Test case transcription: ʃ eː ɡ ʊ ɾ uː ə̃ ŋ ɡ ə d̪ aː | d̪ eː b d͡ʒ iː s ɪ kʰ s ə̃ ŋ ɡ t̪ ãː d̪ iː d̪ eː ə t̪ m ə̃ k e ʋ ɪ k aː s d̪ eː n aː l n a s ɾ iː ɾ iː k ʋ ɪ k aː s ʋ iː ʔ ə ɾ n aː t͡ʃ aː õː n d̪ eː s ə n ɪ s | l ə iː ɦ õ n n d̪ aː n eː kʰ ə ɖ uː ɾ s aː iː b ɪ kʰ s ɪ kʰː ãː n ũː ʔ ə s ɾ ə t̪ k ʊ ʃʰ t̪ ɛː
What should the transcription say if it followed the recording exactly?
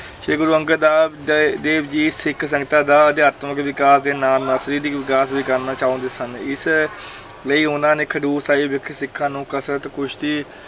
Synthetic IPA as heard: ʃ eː ɡ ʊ ɾ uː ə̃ ŋ ɡ ə d̪ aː | d̪ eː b d͡ʒ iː s ɪ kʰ s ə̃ ŋ ɡ t̪ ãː d̪ aː d̪ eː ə t̪ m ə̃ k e ʋ ɪ k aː s d̪ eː n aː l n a s ɾ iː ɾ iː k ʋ ɪ k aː s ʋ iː k ə ɾ n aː t͡ʃ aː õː n d̪ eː s ə n ɪ s | l ə iː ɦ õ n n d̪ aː n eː kʰ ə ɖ uː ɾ s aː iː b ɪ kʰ s ɪ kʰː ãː n ũː k ə s ɾ ə t̪ k ʊ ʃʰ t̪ iː